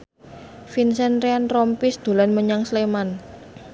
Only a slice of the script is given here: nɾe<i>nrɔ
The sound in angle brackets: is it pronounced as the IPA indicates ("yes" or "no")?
no